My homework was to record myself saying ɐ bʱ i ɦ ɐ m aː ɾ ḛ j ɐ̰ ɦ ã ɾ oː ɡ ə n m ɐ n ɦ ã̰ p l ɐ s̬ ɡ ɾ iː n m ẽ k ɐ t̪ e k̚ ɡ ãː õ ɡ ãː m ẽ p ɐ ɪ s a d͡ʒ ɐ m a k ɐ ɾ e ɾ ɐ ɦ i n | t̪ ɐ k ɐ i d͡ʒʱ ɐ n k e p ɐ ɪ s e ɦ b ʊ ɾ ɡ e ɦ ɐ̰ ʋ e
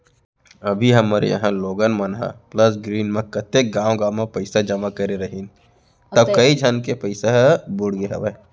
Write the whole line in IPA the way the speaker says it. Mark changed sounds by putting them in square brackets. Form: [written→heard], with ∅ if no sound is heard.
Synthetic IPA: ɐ bʱ i ɦ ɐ m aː ɾ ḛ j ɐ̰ ɦ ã [ɾ→l] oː ɡ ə n m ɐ n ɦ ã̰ p l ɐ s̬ ɡ ɾ iː n m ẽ k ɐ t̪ e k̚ ɡ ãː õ ɡ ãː m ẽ p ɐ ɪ s a d͡ʒ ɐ m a k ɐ ɾ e ɾ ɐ ɦ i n | t̪ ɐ k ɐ i d͡ʒʱ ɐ n k e p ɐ ɪ s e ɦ b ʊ [ɾ→ɽ] ɡ e ɦ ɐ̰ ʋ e